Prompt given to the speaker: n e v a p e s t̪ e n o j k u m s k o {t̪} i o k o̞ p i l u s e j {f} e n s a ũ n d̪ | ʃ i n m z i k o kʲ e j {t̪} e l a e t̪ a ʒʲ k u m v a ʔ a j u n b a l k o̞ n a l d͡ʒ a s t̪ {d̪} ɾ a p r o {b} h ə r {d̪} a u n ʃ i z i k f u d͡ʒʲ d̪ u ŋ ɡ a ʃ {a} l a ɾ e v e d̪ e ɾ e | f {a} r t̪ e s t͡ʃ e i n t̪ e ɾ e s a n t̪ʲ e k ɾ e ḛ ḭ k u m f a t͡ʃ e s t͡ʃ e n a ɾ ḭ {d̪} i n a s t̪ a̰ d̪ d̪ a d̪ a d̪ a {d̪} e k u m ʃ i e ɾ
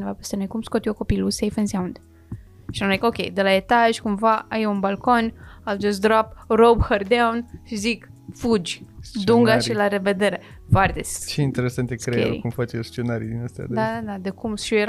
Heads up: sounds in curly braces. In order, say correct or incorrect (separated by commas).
correct, correct, incorrect, correct, correct, correct, incorrect, correct, correct, correct